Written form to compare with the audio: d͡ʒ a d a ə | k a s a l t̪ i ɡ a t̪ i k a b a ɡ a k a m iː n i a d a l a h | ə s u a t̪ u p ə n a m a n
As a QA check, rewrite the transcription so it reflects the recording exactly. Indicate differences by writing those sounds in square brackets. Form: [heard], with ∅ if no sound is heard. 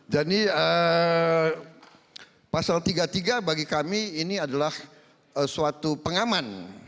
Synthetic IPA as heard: d͡ʒ a d [i] ə | [p] a s a l t̪ i ɡ a t̪ i [ɡ] a b a ɡ [i] k a m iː n i a d a l a h | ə s u a t̪ u p ə [ŋ] a m a n